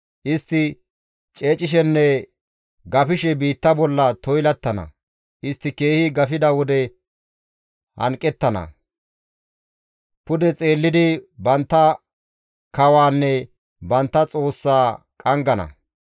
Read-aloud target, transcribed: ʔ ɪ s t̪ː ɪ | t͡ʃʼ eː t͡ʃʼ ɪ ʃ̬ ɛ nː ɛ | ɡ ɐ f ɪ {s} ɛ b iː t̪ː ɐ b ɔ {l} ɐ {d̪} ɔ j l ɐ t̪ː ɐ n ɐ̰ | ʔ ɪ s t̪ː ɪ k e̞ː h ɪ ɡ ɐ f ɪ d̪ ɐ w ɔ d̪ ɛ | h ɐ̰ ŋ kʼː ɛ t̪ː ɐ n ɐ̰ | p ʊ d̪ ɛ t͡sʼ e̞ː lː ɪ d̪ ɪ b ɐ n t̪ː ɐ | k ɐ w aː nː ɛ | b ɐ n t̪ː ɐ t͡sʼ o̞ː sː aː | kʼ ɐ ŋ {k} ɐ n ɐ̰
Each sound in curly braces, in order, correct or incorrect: incorrect: ʃ, incorrect: lː, incorrect: t̪, incorrect: ɡ

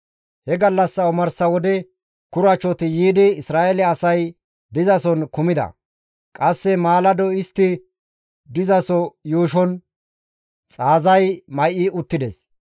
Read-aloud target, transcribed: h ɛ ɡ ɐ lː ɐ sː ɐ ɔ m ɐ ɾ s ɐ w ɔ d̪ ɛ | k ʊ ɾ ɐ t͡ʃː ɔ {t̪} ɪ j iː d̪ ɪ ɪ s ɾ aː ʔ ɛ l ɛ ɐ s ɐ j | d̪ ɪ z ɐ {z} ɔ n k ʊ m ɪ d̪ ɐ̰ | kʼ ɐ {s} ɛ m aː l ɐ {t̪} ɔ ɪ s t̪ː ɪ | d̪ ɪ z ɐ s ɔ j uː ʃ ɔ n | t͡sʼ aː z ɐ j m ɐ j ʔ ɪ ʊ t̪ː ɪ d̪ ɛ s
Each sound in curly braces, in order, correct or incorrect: correct, incorrect: s, incorrect: sː, incorrect: d̪

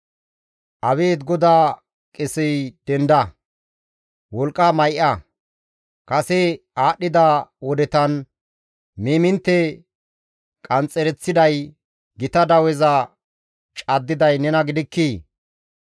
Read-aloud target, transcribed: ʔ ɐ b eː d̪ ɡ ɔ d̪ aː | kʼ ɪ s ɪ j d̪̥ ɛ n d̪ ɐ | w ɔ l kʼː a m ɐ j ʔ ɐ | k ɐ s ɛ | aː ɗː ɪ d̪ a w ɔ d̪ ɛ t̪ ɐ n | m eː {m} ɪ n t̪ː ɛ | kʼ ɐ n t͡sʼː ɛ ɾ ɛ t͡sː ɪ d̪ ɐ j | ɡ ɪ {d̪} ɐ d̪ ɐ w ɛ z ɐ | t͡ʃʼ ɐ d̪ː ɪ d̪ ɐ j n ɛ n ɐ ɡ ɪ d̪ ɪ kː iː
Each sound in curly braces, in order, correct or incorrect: correct, incorrect: t̪

